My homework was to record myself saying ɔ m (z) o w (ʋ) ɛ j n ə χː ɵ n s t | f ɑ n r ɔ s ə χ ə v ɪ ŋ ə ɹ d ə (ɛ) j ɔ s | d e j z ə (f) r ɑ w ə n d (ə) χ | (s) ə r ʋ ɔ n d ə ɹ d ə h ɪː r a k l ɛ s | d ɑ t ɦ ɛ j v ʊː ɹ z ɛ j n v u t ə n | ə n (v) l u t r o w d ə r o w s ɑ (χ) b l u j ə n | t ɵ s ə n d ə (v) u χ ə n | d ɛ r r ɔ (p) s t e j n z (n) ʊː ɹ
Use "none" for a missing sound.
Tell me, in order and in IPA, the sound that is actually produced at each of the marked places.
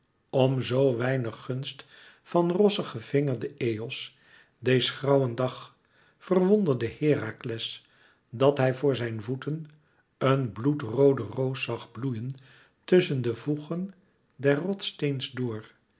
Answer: z, ʋ, e, χ, ɑ, f, b, χ, v, t, d

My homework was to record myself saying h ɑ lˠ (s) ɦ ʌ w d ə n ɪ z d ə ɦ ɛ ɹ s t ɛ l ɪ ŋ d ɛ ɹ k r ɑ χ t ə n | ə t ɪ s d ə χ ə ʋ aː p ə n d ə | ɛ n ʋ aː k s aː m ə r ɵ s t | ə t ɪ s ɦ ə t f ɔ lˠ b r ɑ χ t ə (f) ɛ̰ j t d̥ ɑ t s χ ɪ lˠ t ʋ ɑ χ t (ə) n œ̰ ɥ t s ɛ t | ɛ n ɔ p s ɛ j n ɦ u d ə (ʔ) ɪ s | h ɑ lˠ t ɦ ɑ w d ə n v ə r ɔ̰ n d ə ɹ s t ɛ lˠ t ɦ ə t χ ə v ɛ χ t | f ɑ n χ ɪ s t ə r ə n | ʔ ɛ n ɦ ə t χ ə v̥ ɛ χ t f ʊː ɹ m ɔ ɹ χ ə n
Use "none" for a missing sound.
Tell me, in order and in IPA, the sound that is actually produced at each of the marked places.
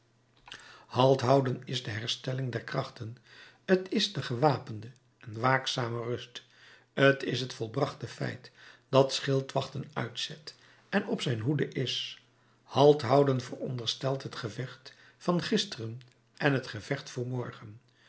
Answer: t, f, ə, ʔ

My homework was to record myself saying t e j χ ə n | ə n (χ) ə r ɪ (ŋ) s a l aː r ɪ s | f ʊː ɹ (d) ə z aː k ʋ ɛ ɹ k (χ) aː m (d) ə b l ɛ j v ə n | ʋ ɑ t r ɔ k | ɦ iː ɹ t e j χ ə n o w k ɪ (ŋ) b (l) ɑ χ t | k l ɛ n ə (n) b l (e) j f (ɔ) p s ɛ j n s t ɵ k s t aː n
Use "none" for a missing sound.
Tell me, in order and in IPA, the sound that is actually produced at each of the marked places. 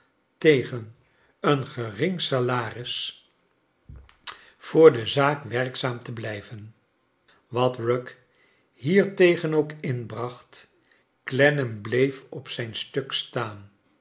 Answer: χ, ŋ, d, s, t, n, r, m, e, ɔ

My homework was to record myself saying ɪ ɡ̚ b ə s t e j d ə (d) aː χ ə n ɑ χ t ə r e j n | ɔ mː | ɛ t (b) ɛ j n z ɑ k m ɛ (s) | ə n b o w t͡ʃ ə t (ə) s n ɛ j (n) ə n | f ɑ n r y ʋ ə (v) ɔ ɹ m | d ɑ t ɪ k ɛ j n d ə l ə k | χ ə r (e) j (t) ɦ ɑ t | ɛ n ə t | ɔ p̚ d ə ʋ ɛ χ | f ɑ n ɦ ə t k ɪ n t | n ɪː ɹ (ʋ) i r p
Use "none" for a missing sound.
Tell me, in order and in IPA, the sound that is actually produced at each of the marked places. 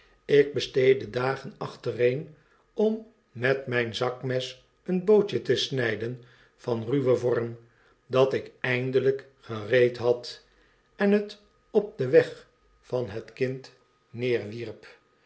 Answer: d, m, s, ə, d, v, e, t, ʋ

